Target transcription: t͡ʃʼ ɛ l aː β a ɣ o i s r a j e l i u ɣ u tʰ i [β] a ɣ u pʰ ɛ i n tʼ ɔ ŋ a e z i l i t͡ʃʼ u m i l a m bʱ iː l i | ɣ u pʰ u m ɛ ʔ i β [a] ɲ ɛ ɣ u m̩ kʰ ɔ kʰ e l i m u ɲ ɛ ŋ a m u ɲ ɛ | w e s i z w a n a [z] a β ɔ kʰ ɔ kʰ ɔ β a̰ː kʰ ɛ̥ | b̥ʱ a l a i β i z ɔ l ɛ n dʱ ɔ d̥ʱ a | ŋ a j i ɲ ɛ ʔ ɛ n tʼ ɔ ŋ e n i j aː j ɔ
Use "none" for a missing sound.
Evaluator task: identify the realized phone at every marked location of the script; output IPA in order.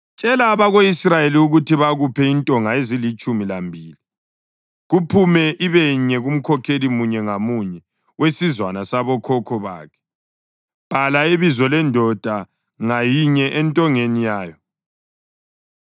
β, ɛ, s

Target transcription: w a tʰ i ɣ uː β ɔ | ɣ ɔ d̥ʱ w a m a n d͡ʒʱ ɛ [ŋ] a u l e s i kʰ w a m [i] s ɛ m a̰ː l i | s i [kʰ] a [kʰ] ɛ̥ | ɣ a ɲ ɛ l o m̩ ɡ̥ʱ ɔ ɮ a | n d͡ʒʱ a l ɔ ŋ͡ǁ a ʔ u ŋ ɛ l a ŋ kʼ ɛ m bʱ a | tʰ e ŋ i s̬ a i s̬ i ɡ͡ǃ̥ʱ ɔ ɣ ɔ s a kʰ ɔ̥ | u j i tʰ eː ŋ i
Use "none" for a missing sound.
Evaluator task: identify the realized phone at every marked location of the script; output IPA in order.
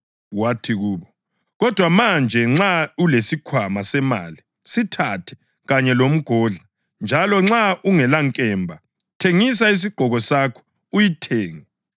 ŋ͡ǁ, a, tʰ, tʰ

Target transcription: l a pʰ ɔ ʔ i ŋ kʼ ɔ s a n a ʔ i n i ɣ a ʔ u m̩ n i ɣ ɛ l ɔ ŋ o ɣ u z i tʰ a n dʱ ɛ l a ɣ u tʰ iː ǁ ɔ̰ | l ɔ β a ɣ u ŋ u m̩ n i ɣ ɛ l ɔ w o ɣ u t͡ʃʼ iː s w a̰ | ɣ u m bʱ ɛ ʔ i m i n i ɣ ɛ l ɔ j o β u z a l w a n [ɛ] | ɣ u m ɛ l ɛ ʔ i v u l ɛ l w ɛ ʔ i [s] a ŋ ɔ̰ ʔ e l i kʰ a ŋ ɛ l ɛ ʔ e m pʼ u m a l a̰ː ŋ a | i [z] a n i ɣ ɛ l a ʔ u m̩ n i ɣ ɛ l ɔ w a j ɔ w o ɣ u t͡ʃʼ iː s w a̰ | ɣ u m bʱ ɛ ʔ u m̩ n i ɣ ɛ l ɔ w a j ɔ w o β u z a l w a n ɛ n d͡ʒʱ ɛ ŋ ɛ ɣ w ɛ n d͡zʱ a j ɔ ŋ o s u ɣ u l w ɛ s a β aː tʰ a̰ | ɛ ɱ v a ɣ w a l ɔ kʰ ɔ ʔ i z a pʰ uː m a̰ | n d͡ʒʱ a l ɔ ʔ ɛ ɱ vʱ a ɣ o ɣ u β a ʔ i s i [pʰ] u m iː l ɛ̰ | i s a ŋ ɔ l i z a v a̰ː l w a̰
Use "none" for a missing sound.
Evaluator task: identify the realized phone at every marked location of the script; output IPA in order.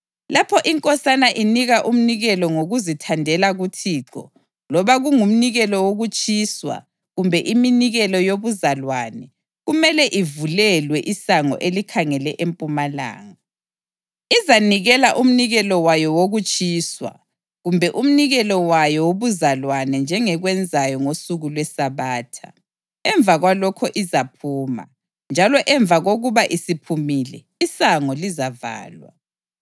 ɛ, s, z, pʰ

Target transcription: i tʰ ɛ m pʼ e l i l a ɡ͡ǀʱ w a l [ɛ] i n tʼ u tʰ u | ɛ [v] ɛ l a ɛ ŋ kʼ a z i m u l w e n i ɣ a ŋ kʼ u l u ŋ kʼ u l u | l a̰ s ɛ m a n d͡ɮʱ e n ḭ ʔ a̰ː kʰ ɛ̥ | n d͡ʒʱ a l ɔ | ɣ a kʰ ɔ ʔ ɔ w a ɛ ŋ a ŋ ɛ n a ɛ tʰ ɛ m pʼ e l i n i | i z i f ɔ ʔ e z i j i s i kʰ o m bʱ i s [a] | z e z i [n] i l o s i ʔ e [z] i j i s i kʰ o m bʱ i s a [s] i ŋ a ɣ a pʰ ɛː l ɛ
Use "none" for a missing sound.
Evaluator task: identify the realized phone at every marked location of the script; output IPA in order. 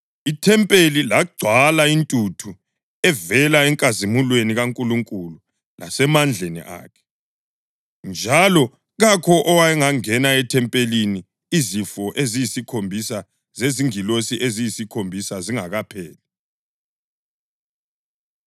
a, v, a, ŋ, z, z

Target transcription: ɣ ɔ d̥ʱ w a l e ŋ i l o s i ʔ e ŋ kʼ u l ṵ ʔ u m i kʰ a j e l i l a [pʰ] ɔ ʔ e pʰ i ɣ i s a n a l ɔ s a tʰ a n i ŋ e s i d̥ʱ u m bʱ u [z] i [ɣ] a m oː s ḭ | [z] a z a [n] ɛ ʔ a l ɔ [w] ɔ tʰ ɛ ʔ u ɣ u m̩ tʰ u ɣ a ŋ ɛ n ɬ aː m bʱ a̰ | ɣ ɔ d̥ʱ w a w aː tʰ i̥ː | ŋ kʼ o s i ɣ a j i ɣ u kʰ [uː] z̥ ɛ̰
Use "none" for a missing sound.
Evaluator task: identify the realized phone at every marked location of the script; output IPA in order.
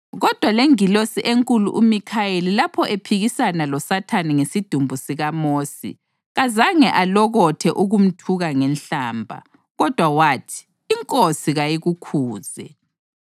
pʰ, s, ɣ, ɣ, ŋ, ɣ, uː

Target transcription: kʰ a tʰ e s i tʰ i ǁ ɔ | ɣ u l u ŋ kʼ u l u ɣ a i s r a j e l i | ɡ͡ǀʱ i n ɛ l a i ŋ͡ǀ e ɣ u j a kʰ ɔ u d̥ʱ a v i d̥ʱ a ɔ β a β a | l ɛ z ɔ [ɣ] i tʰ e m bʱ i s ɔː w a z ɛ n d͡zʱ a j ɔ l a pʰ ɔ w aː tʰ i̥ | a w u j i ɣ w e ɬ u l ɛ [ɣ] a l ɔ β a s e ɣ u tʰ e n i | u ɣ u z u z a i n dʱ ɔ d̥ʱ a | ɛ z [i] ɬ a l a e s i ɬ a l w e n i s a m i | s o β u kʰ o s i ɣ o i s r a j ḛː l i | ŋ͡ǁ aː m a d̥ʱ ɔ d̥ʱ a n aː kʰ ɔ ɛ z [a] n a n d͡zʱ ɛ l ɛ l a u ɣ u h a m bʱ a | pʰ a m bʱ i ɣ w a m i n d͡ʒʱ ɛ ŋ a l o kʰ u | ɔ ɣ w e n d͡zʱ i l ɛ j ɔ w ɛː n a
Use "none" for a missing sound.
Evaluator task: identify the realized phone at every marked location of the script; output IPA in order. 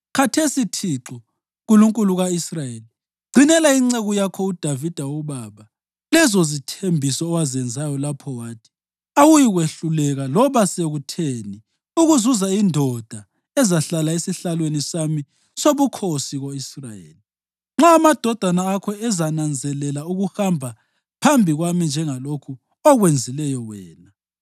z, ɣ, a, a

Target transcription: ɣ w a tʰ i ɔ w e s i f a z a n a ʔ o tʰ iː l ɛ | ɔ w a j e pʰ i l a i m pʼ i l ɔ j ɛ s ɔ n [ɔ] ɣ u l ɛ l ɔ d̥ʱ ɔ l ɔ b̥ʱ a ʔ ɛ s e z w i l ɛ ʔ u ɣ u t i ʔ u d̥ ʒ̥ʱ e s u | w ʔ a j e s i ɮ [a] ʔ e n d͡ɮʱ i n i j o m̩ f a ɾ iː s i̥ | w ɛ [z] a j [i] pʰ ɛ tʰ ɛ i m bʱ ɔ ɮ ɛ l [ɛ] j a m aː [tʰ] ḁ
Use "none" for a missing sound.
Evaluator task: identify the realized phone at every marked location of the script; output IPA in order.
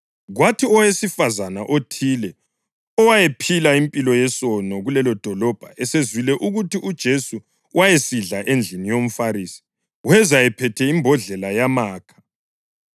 ɔ, a, z, ɛ, a, kʰ

